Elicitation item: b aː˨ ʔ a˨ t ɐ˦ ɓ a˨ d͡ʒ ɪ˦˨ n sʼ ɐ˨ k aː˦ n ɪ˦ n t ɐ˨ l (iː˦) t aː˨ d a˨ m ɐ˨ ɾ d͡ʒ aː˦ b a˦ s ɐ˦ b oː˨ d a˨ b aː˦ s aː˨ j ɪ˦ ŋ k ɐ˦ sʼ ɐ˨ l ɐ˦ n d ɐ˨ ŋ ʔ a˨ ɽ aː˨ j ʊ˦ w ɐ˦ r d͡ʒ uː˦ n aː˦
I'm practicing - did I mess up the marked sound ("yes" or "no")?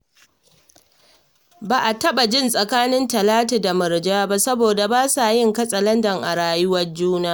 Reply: yes